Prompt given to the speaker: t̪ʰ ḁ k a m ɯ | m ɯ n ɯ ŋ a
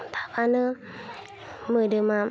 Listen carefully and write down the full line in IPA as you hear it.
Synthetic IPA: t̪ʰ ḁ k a n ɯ | m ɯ d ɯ m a